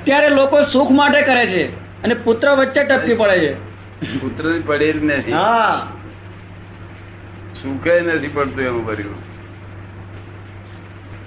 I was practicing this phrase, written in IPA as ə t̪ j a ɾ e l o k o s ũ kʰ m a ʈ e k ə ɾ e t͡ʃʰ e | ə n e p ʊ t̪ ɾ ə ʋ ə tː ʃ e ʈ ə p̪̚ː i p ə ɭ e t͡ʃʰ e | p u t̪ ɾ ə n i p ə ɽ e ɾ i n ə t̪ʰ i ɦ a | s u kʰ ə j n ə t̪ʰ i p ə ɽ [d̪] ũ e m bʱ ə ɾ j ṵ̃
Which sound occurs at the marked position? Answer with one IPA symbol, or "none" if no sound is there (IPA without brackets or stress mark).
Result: t̪